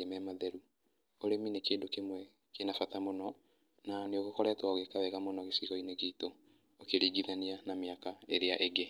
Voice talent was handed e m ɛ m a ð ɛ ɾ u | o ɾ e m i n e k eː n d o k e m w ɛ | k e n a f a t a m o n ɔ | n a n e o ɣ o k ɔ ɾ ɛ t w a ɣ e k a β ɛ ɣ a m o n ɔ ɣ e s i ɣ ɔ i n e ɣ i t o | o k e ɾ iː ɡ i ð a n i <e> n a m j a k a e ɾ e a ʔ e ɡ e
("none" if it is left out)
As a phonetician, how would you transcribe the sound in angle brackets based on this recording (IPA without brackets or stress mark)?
a